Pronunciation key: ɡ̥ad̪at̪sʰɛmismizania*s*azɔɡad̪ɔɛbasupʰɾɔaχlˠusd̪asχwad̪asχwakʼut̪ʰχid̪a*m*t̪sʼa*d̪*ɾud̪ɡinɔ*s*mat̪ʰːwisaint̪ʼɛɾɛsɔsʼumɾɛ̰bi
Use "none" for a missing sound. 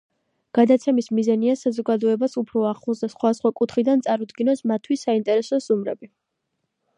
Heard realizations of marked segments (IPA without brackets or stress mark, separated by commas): s, n, none, s